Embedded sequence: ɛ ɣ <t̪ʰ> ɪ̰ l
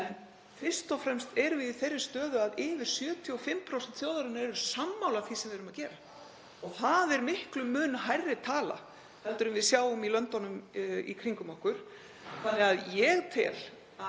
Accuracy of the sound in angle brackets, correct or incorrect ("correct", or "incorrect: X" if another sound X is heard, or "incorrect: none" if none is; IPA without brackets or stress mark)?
correct